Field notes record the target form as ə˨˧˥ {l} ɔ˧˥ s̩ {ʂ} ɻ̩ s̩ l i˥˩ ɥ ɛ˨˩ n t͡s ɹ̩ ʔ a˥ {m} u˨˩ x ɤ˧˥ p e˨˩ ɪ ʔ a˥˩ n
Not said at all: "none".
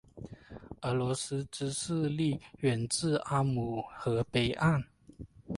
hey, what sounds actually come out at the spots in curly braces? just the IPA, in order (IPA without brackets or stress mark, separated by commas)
l, ʈ͡ʂ, m